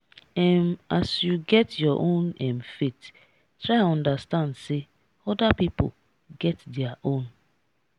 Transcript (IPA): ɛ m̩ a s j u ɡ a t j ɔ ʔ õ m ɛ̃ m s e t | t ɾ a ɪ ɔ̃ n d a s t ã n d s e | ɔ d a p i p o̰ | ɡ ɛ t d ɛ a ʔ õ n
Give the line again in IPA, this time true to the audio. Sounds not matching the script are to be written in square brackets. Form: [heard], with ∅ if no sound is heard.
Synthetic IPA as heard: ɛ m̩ a s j u ɡ [ɛ] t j ɔ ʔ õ [n] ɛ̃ m [f] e t | t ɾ a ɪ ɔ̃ n d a s t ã n d s e | ɔ d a p i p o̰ | ɡ ɛ t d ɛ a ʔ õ n